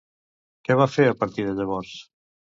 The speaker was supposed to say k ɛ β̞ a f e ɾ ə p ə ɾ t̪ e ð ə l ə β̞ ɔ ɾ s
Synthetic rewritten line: k ɛ β̞ a f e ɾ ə p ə ɾ t̪ i ð ə ʎ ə β̞ ɔ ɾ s